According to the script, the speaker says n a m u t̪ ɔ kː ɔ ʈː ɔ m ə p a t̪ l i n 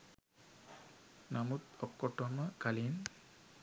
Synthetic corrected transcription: n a m u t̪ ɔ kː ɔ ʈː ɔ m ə k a l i n